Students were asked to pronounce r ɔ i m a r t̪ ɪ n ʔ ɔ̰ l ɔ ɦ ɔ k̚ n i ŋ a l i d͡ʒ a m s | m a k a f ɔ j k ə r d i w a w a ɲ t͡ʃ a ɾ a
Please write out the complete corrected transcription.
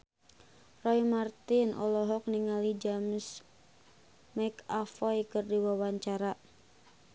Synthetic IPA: r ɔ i m a r t̪ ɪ n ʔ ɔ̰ l ɔ ɦ ɔ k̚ n i ŋ a l i d͡ʒ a m s | m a k a f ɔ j k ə r d i w a w a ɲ t͡ʃ a ɾ a